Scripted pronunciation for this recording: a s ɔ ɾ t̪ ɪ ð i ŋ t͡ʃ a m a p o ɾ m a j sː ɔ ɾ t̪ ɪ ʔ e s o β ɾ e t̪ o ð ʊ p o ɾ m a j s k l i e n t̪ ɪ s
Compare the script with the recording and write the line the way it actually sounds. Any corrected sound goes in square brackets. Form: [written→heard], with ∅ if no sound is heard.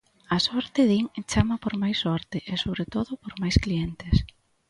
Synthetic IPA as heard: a s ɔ ɾ t̪ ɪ ð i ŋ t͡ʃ a m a p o ɾ m a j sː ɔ ɾ t̪ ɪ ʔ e s o β ɾ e t̪ o ð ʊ p o ɾ m a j s k l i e n t̪ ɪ s